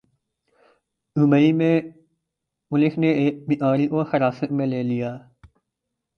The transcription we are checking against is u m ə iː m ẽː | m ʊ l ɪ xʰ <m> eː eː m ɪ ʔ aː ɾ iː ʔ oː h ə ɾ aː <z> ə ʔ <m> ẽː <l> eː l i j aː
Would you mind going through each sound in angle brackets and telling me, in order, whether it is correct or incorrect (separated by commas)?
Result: incorrect, incorrect, correct, correct